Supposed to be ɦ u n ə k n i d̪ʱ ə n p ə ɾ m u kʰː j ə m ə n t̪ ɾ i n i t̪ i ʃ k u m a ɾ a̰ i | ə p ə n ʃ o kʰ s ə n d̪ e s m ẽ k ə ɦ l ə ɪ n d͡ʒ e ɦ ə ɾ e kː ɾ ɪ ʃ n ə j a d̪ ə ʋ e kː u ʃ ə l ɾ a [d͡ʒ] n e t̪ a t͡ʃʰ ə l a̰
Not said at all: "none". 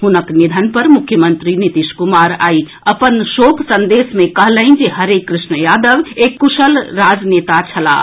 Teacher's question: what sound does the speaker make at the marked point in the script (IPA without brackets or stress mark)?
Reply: d͡ʒ